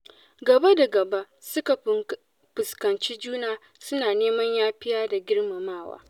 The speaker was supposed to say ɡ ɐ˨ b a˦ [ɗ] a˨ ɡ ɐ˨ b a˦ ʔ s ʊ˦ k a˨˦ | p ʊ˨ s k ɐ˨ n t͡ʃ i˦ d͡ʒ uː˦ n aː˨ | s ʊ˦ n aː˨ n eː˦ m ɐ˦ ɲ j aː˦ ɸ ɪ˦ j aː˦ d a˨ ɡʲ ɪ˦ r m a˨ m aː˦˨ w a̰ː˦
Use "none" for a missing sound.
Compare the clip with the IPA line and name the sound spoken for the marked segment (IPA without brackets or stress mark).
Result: d